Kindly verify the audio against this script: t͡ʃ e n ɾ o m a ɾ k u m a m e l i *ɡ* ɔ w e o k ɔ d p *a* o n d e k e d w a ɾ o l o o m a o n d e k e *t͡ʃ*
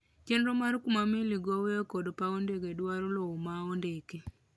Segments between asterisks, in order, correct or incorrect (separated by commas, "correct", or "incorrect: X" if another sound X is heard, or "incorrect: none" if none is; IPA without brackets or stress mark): correct, correct, incorrect: none